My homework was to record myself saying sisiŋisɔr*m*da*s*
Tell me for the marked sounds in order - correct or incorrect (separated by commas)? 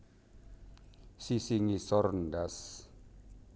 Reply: incorrect, correct